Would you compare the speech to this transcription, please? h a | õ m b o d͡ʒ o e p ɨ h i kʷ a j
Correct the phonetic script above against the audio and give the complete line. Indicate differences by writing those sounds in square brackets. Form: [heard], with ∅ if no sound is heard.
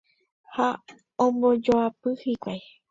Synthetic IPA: h a | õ m b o d͡ʒ o [a] p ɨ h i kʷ a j